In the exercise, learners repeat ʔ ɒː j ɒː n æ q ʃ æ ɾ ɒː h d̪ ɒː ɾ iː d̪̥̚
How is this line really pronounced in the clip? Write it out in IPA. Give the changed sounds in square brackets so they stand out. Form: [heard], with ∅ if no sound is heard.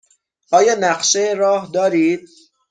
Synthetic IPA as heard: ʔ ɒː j ɒː n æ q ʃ [e] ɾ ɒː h d̪ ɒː ɾ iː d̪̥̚